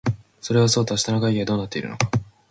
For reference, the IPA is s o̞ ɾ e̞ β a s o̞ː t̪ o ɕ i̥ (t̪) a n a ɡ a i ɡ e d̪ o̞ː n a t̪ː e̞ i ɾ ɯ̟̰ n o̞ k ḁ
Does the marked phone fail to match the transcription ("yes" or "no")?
no